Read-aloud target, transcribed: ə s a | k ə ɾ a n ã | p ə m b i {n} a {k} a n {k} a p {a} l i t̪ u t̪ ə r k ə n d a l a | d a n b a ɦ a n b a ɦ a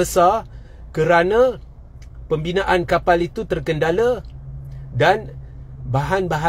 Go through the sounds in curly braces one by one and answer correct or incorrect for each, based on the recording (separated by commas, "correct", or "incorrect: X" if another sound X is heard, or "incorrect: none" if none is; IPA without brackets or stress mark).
correct, incorrect: ʔ, correct, correct